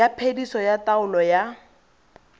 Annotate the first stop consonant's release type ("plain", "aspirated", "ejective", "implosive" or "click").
aspirated